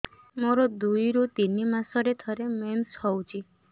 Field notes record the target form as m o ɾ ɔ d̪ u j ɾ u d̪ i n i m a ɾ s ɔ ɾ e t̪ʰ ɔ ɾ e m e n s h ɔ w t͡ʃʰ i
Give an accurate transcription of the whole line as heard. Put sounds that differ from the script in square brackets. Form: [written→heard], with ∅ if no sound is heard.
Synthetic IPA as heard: m o ɾ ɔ d̪ u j ɾ u [d̪→t̪] i n i m a [ɾ→∅] s ɔ ɾ e t̪ʰ ɔ ɾ e m e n s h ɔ w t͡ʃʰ i

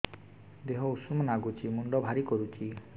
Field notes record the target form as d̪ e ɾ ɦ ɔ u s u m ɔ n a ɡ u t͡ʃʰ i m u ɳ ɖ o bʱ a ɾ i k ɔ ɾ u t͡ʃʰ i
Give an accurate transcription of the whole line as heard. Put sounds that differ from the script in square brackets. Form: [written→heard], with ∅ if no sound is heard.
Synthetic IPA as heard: d̪ e [ɾ→∅] ɦ ɔ u s u m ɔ n a ɡ u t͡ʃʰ i m u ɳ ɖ [o→ɔ] bʱ a ɾ i k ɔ ɾ u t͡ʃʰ i

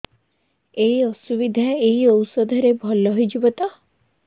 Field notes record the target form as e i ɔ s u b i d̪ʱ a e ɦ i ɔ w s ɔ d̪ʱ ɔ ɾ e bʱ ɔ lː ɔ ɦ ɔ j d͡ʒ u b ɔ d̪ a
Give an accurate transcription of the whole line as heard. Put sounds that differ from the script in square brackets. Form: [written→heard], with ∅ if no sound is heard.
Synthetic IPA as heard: e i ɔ s u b i d̪ʱ a e ɦ i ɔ w s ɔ d̪ʱ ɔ ɾ e bʱ ɔ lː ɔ ɦ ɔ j d͡ʒ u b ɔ [d̪→t̪] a

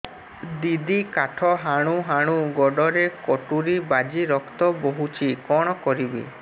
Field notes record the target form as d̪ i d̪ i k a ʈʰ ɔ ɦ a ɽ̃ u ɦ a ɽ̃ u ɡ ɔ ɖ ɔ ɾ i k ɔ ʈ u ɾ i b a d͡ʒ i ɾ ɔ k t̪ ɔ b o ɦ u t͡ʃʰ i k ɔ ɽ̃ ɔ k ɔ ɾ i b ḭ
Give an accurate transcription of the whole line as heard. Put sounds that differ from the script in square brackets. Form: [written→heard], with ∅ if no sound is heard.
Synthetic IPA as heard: d̪ i d̪ i k a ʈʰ ɔ ɦ a ɽ̃ u ɦ a ɽ̃ u ɡ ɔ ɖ ɔ ɾ [i→e] k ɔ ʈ u ɾ i b a d͡ʒ i ɾ ɔ k t̪ ɔ b o ɦ u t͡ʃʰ i k ɔ ɽ̃ ɔ k ɔ ɾ i b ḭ

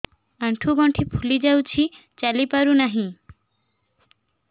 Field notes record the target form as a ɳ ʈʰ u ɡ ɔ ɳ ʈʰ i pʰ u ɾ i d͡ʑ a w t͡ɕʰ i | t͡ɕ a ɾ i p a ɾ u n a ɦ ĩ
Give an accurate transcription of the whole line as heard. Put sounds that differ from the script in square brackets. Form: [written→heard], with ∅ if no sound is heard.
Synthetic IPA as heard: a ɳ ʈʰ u ɡ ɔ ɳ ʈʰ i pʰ u [ɾ→l] i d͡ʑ a w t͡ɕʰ i | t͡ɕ a [ɾ→l] i p a ɾ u n a ɦ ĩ

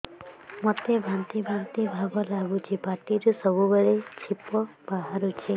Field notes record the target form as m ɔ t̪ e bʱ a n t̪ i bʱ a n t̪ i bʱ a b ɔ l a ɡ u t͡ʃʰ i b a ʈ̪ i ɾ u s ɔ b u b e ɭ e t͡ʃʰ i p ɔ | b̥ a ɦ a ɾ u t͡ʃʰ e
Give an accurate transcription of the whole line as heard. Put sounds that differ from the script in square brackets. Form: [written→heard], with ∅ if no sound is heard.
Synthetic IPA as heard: m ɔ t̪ e bʱ a n t̪ i bʱ a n t̪ i bʱ a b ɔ l a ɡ u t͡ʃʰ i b a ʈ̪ i ɾ u s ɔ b u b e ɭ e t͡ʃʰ i p ɔ | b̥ a ɦ a ɾ u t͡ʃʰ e

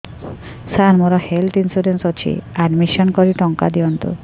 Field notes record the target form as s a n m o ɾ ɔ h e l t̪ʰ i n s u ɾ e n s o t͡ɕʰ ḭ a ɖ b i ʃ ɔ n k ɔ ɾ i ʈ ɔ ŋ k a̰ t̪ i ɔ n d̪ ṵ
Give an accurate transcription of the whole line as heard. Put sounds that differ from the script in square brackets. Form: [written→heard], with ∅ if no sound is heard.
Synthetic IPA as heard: s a n m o ɾ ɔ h e l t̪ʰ i n s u ɾ e n s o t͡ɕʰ ḭ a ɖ [b→m] i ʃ ɔ n k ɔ ɾ i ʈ ɔ ŋ k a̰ [t̪→d̪] i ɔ n [d̪→t̪] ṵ

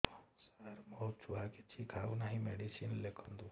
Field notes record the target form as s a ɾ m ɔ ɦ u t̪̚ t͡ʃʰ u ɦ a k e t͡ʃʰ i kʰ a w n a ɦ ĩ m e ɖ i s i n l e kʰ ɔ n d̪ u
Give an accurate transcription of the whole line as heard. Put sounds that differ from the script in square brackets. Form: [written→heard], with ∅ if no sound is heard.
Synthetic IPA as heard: s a ɾ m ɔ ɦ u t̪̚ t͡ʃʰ u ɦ a k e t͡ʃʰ i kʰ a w n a ɦ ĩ m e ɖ i s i n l e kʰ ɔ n d̪ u

